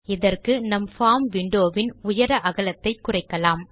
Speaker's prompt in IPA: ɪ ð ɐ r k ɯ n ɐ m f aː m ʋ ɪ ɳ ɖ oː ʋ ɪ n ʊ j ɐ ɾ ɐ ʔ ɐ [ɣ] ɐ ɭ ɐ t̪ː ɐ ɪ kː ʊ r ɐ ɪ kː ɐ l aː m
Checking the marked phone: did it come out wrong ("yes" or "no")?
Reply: no